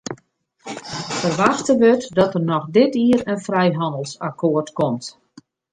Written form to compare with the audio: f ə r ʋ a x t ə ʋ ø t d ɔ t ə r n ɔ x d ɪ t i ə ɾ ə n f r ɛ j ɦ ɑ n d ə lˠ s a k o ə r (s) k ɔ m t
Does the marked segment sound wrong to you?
yes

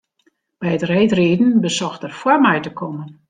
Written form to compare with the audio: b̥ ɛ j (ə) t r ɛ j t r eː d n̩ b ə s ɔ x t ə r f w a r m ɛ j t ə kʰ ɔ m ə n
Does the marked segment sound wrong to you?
no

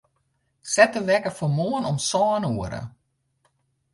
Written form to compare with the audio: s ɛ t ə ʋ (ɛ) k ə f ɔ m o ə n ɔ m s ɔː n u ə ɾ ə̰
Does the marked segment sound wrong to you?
no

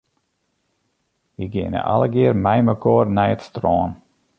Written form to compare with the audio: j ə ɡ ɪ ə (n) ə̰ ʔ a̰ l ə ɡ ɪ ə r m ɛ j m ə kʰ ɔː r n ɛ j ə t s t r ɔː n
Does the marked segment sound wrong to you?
no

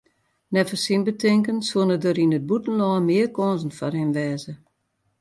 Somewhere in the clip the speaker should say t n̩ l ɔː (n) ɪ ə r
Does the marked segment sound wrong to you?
yes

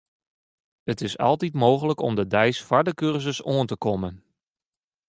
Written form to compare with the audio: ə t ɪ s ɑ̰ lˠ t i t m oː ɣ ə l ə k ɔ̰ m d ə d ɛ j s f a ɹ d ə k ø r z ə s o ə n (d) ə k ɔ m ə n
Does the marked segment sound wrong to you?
yes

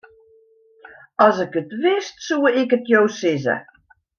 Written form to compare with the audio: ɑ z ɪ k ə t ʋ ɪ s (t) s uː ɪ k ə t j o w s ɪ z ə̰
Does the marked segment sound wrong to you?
no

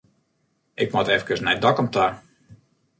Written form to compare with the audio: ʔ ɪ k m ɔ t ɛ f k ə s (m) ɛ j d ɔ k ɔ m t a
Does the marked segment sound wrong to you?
yes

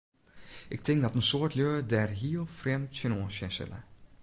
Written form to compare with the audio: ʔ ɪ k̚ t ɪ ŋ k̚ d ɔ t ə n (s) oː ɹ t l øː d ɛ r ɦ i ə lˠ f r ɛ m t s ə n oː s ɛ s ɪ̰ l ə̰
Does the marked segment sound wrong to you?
no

